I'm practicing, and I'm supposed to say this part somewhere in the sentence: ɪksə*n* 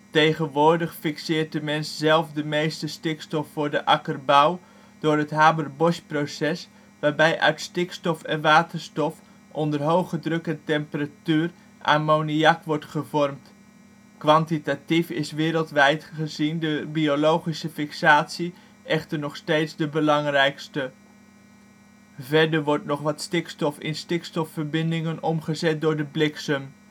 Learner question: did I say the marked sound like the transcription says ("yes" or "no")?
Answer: no